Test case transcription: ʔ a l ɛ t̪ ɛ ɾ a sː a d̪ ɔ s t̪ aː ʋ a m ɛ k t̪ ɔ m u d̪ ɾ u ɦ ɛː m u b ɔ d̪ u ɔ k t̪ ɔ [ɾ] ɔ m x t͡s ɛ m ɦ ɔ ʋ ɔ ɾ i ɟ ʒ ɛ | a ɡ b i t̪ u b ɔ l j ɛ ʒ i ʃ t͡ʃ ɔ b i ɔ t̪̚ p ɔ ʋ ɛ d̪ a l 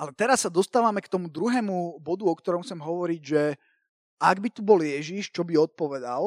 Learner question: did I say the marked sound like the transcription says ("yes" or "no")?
yes